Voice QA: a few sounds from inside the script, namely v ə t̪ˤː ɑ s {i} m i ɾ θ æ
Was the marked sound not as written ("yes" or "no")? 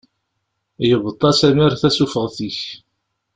yes